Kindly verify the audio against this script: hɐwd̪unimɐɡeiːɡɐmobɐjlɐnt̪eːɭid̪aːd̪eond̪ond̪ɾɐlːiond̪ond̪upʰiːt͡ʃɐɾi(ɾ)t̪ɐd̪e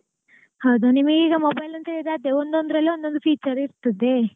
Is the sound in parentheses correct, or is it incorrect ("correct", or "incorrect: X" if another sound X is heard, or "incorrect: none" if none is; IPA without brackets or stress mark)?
correct